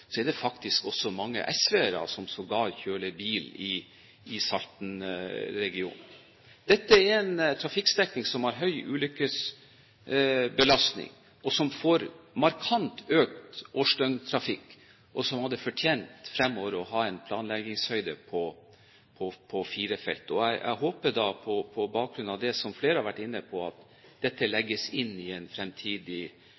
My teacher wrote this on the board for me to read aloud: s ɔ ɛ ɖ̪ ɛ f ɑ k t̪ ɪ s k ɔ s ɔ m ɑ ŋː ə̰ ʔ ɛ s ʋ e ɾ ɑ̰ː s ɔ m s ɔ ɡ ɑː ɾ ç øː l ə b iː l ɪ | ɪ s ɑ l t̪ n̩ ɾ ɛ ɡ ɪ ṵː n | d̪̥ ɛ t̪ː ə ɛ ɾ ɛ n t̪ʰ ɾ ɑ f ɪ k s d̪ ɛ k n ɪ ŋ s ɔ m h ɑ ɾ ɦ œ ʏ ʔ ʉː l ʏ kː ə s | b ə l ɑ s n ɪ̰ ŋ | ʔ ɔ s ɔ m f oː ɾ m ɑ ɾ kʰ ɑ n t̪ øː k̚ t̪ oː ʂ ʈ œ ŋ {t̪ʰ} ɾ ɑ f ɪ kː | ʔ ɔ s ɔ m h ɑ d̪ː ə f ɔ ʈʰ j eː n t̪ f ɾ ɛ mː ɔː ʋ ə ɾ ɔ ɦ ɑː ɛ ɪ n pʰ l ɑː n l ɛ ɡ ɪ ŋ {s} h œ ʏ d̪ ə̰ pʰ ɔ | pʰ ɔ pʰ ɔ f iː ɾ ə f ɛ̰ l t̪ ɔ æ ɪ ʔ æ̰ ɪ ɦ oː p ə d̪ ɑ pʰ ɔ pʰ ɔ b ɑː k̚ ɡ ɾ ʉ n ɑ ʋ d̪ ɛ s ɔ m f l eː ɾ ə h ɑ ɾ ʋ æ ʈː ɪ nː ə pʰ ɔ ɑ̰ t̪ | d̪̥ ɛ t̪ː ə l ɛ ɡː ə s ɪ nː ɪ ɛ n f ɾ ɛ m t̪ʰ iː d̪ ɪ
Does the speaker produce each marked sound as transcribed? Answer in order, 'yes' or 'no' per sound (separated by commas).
yes, yes